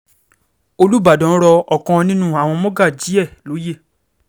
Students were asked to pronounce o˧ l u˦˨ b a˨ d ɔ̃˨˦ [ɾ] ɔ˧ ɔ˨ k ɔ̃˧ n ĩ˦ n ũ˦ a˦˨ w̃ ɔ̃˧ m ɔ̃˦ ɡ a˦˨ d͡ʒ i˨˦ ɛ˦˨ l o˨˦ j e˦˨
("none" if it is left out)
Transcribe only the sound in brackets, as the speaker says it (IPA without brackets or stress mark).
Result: ɾ